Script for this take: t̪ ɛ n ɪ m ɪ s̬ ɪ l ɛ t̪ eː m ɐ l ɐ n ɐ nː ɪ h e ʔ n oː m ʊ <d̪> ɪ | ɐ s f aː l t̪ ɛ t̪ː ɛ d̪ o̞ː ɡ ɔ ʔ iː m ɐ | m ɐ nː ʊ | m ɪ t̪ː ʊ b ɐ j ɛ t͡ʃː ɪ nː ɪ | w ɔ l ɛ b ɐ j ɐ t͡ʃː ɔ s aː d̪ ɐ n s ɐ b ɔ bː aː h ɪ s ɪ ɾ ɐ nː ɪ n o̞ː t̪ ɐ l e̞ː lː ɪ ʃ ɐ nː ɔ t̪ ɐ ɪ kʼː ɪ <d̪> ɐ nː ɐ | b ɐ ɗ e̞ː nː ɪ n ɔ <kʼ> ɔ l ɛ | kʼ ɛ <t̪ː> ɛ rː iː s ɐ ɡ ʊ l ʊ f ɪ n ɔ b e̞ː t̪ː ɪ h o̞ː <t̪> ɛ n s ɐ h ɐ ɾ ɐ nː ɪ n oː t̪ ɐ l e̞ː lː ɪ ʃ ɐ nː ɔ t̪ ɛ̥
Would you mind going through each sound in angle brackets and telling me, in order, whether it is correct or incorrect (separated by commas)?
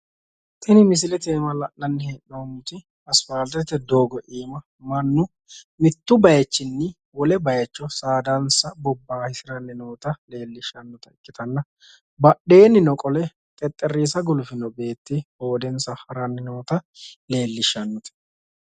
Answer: incorrect, incorrect, correct, incorrect, incorrect